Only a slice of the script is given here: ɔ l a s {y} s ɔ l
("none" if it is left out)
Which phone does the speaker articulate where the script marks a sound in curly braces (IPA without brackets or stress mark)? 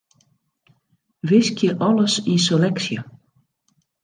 i